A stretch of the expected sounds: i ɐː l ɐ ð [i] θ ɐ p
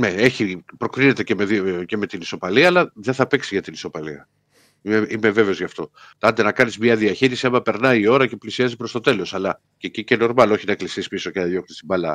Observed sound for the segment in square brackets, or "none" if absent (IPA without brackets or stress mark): e